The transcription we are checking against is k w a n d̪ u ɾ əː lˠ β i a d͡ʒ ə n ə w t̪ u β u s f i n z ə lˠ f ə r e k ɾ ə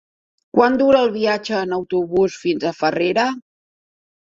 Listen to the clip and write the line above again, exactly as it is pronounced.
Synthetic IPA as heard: k w a n d̪ u ɾ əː lˠ β i a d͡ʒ əː n ə w t̪ u β u s f i n z ə f ə r e ɾ ə